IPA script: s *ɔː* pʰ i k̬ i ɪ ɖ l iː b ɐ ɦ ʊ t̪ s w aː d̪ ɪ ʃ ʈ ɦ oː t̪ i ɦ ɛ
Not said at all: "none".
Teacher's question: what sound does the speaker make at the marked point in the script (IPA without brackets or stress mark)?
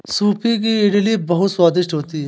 uː